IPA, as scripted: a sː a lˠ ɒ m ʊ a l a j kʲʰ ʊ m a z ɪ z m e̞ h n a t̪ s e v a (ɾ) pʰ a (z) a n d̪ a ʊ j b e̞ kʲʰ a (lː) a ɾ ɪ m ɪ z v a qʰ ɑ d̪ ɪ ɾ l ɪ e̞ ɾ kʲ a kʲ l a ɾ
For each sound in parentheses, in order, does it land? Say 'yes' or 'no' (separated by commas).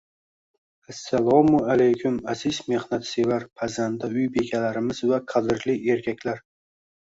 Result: yes, yes, no